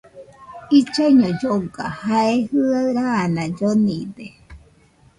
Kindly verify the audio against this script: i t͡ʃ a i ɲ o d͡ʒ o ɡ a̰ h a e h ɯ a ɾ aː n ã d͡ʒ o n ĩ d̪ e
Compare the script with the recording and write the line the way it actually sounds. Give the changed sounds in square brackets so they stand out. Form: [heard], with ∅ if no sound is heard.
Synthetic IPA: i t͡ʃ a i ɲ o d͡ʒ o ɡ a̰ h a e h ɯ a ɾ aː n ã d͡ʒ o n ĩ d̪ e